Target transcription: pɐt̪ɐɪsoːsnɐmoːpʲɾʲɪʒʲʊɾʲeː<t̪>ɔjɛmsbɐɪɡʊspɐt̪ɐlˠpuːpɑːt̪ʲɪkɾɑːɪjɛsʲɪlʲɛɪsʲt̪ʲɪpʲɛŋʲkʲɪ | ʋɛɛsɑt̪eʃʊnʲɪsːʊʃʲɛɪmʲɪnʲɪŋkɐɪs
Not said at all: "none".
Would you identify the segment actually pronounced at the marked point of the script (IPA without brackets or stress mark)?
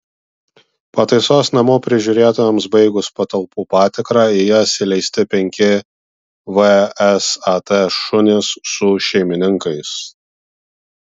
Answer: t̪